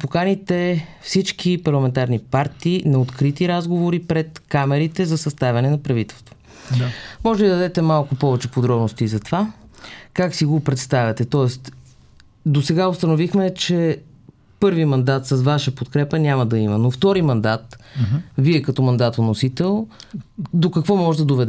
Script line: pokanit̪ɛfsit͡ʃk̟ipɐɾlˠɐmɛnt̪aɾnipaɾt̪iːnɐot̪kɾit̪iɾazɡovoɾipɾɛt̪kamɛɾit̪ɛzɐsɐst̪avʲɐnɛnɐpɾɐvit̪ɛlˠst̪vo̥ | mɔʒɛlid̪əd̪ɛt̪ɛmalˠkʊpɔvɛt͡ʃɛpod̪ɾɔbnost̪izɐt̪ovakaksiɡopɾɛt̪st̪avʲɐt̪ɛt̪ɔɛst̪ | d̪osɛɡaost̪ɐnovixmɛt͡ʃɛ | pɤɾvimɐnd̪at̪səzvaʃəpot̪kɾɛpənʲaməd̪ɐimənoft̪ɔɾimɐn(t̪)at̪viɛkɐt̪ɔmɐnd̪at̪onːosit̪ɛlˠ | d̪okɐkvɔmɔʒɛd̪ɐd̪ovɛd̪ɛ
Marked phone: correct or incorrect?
incorrect